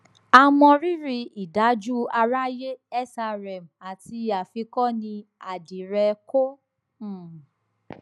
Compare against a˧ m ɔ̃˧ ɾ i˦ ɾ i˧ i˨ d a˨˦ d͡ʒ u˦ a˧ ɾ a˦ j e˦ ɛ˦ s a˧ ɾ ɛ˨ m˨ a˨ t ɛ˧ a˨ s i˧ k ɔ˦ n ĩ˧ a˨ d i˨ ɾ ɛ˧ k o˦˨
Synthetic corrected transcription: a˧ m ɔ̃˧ ɾ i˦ ɾ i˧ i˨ d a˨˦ d͡ʒ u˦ a˧ ɾ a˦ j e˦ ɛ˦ s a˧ ɾ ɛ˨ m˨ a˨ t i˧ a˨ f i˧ k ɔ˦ n ĩ˧ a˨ d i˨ ɾ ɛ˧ k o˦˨